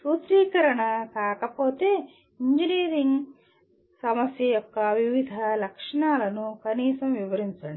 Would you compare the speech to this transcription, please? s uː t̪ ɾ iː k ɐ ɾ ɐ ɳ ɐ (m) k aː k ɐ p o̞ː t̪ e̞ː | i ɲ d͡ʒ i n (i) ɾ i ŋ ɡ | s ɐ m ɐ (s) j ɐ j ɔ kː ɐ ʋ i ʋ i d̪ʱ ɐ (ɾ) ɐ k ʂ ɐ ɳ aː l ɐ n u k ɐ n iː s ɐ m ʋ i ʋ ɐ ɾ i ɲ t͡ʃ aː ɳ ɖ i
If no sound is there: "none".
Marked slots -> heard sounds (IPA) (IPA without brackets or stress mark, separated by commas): none, iː, s, l